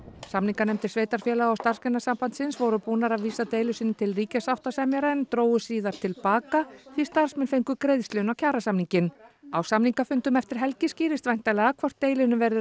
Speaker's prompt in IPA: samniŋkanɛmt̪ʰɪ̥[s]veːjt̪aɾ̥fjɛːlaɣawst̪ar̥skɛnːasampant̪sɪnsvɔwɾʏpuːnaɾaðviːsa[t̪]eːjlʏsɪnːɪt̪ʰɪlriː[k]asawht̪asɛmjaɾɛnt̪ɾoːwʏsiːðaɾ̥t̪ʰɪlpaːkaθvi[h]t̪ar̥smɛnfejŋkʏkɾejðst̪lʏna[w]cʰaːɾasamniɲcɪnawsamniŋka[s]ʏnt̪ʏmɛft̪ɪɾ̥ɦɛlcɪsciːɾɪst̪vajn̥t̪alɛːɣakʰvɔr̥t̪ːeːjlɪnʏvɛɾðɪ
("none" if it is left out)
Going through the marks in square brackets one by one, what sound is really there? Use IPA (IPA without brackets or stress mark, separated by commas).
s, t̪, c, s, w, f